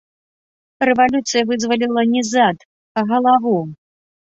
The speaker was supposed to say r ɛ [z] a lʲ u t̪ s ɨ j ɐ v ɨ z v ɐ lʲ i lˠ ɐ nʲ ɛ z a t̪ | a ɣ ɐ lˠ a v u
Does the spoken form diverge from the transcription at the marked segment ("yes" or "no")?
yes